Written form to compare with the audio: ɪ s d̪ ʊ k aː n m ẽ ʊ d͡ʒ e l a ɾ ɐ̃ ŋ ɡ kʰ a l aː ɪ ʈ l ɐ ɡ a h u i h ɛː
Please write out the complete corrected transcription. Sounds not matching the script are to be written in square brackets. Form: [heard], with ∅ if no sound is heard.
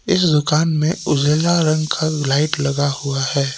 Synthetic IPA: ɪ s d̪ ʊ k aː n m ẽ ʊ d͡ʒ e l a ɾ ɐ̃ ŋ ɡ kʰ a l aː ɪ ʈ l ɐ ɡ a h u [a] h ɛː